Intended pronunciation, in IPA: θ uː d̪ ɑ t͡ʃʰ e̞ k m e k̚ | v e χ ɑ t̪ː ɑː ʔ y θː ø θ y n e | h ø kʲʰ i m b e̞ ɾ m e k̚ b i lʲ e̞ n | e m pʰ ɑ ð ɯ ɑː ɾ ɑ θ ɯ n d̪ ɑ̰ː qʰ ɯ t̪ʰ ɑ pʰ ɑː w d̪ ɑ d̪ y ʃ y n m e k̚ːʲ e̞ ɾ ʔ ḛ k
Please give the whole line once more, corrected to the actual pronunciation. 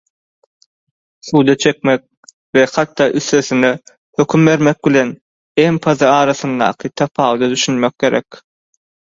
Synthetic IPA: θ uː d̪ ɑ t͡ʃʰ e̞ k m e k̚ | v e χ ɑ t̪ː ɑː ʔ y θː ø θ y n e | h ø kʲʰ y m b e̞ ɾ m e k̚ b i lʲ e̞ n | e m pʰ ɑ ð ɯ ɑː ɾ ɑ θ ɯ n d̪ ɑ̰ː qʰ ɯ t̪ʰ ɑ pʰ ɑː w d̪ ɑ d̪ y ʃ y n m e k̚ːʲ e̞ ɾ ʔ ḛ k